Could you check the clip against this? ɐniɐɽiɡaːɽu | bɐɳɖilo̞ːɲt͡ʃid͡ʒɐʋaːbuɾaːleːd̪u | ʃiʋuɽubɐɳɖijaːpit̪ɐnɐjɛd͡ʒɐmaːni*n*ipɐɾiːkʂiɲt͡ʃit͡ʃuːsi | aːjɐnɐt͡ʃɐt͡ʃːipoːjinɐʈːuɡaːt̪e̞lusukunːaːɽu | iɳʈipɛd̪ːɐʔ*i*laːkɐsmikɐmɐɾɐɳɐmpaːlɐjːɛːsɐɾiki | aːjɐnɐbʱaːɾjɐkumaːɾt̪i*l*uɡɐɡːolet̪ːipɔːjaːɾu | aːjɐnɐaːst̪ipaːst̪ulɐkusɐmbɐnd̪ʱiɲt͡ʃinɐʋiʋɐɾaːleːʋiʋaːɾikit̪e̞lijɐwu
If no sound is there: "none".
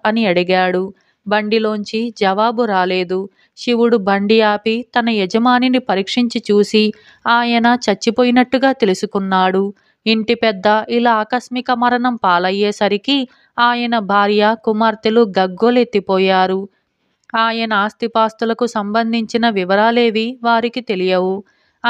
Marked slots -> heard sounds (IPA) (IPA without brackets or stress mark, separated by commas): n, i, l